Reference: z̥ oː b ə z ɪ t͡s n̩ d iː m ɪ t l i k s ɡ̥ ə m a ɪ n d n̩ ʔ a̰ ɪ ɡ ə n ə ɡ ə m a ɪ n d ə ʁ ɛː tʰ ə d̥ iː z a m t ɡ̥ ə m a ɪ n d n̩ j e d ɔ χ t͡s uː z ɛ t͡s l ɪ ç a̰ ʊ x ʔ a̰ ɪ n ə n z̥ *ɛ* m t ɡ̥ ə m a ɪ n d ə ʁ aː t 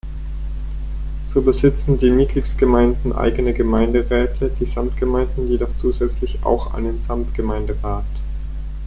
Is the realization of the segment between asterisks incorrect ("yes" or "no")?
yes